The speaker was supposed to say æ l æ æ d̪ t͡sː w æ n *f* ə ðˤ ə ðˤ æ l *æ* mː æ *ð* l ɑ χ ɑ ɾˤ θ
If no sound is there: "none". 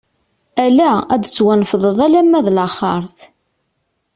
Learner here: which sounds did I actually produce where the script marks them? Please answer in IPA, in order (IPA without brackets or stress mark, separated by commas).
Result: f, æ, ð